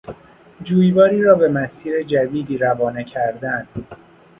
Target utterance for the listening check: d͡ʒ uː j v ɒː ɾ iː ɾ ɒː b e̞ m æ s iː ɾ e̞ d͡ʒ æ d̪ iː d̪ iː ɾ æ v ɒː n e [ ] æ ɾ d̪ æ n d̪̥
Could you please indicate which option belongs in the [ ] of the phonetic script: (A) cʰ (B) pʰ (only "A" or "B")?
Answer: A